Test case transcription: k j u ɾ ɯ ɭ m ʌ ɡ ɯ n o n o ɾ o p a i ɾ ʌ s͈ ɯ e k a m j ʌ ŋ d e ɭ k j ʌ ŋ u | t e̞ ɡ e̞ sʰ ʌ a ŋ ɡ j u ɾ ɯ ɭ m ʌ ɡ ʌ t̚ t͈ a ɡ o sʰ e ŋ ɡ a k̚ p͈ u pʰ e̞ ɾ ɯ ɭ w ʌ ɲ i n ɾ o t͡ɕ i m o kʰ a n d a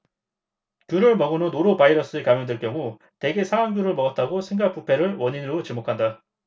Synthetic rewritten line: k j u ɾ ɯ ɭ m ʌ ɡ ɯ n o n o ɾ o p a i ɾ ʌ s͈ ɯ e k a m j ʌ ŋ d e ɭ k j ʌ ŋ u | t e̞ ɡ e̞ sʰ a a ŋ ɡ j u ɾ ɯ ɭ m ʌ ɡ ʌ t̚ t͈ a ɡ o sʰ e ŋ ɡ a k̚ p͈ u pʰ e̞ ɾ ɯ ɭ w ʌ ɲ i n ɾ o t͡ɕ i m o kʰ a n d a